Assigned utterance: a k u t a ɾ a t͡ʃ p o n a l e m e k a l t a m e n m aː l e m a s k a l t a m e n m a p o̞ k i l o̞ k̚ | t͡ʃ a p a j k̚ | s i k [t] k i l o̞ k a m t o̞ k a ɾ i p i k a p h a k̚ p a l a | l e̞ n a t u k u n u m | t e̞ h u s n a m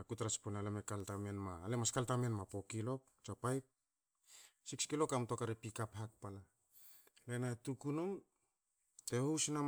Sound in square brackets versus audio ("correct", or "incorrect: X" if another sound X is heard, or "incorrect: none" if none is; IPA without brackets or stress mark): incorrect: s